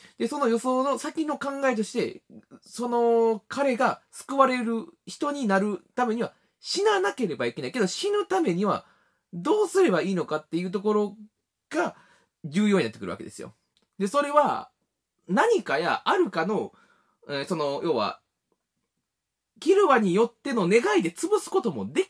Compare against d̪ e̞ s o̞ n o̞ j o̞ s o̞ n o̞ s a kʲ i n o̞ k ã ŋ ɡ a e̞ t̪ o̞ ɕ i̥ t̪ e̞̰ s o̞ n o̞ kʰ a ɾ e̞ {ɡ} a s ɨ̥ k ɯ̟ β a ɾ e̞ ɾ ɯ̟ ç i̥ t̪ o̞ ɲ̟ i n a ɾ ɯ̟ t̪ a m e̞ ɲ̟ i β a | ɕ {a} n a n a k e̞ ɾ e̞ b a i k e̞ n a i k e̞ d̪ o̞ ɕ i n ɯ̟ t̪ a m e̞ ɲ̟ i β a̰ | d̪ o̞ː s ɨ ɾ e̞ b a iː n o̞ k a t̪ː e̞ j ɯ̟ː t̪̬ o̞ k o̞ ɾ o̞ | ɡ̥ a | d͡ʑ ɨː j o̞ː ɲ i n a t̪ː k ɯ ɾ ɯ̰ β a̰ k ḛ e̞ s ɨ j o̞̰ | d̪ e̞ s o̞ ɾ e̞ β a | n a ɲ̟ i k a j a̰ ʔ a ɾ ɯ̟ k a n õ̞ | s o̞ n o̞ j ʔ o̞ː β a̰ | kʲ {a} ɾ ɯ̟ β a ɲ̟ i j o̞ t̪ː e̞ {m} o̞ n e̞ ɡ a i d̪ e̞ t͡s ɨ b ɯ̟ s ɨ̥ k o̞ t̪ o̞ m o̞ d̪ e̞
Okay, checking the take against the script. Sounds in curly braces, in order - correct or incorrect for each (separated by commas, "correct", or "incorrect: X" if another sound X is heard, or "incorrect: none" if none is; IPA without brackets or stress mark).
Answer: correct, incorrect: i, incorrect: i, incorrect: n